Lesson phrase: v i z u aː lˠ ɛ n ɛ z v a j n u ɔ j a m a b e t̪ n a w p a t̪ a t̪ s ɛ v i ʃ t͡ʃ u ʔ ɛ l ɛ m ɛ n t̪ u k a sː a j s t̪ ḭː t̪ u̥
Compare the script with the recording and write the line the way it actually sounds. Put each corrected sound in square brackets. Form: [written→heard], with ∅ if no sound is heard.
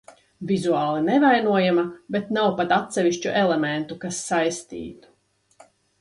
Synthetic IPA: v i z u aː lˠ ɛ n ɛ [z→∅] v a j n u ɔ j a m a b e t̪ n a w p a t̪ a t̪ s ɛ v i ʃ t͡ʃ u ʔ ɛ l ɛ m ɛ n t̪ u k a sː a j s t̪ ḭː t̪ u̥